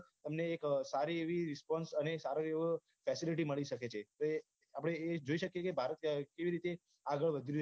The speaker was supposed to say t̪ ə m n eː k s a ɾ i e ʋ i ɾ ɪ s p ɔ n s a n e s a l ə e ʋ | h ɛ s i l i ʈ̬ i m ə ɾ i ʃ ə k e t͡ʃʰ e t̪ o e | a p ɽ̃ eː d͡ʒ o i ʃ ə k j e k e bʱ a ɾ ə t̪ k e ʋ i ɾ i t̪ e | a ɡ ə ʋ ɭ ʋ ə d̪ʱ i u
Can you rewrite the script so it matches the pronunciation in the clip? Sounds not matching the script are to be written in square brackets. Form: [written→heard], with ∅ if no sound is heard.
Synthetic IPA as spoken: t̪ ə m n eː k s a ɾ i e ʋ i ɾ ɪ s p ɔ n s [a→ə] n e s a [l→ɾ] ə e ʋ | [h→f] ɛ s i l i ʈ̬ i m ə [ɾ→ɭ] i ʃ ə k e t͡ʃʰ e t̪ o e | a p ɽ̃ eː d͡ʒ o i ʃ ə k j e k e bʱ a ɾ ə t̪ k e ʋ i ɾ i t̪ e | a ɡ ə [ʋ→∅] ɭ ʋ ə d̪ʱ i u